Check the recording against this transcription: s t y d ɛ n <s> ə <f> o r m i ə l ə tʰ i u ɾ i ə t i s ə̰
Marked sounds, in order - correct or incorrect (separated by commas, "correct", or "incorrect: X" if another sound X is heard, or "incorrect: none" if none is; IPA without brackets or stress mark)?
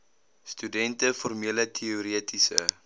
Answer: incorrect: t, correct